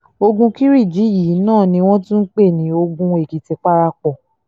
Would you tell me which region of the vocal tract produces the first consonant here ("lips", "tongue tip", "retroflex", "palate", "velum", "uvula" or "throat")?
velum